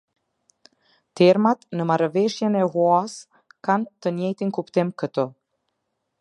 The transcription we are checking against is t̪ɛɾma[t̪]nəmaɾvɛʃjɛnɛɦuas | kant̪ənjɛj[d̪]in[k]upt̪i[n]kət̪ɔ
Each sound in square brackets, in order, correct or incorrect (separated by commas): correct, incorrect, correct, incorrect